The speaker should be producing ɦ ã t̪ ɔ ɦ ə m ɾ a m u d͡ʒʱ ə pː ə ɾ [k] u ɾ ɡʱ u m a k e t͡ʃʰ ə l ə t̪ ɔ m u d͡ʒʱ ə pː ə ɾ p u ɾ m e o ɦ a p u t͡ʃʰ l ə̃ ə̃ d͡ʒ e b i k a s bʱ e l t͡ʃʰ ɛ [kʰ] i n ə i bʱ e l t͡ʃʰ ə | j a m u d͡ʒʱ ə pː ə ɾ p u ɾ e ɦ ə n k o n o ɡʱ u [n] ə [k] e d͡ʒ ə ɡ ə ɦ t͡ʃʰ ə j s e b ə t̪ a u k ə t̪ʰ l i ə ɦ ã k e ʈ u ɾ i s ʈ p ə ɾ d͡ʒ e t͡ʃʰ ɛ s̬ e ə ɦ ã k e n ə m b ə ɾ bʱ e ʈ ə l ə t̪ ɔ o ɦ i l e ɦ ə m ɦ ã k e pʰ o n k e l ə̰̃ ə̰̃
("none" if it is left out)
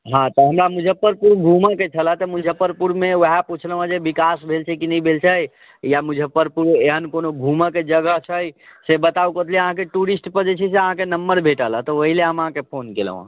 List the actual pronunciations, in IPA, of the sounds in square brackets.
p, k, m, k

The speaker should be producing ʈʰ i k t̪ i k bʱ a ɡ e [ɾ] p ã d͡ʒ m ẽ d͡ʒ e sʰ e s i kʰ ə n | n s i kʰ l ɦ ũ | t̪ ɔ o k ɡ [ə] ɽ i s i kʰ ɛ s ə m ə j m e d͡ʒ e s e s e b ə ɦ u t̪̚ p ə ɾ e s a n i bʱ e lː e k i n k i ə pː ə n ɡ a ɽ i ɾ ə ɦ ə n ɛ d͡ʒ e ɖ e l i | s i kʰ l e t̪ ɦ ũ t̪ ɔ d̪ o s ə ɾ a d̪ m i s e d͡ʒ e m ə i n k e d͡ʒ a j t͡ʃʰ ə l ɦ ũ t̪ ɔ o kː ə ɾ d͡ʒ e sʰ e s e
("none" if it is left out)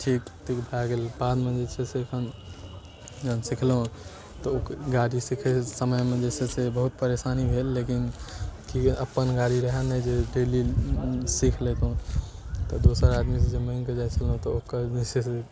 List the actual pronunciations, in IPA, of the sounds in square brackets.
l, a

